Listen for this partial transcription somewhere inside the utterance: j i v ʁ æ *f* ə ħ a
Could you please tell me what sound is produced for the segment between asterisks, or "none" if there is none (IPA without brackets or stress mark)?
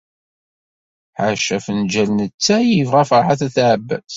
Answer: f